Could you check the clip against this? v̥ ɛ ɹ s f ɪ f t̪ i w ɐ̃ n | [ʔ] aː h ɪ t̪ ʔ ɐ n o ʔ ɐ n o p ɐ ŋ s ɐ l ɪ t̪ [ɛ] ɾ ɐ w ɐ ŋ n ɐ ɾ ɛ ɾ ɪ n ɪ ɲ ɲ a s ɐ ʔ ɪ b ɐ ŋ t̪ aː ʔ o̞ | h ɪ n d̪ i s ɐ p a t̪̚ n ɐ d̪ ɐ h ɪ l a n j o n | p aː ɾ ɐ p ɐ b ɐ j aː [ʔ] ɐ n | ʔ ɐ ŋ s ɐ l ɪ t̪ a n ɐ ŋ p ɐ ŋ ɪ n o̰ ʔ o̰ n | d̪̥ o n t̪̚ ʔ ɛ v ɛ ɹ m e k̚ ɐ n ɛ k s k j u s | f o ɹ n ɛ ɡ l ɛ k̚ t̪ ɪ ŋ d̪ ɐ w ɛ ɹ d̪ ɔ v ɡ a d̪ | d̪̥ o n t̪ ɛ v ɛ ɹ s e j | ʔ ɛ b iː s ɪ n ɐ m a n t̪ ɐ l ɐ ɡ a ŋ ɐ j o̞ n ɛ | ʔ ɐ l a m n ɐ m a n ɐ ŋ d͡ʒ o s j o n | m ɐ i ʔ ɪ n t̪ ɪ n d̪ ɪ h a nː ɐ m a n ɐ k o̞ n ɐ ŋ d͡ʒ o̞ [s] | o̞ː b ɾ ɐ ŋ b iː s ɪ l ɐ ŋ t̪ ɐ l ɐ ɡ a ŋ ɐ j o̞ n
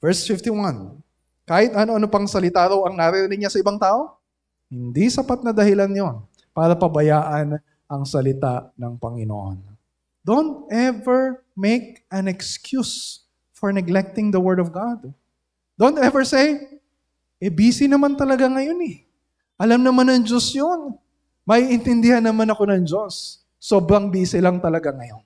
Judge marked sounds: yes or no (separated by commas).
no, no, yes, no